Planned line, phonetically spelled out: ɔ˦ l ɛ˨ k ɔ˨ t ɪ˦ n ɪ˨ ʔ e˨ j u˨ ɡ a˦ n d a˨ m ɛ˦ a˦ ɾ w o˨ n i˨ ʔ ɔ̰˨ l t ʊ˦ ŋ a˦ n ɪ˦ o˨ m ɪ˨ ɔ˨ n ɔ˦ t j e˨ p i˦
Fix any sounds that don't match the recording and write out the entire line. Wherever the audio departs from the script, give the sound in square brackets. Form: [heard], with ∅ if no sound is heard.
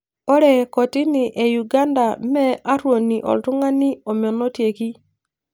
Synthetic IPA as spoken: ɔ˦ [ɾ] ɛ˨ k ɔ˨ t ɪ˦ n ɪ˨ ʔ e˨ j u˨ ɡ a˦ n d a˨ m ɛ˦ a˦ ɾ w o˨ n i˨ ʔ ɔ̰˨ l t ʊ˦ ŋ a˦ n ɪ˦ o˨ m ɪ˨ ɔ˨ n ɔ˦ t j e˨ [k] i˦